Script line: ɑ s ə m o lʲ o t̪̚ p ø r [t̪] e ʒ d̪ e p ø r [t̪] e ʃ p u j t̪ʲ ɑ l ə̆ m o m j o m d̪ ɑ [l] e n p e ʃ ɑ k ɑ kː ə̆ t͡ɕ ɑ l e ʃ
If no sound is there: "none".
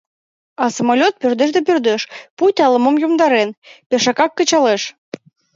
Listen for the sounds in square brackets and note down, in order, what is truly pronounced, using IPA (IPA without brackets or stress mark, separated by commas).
d̪, d̪, ɾ